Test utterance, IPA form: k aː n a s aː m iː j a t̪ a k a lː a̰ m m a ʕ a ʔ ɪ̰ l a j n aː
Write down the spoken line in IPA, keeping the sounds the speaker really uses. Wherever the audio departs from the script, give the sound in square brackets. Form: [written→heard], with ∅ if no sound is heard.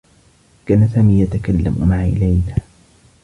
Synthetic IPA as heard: k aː n a s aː m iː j a t̪ a k a lː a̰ m m a ʕ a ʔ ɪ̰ l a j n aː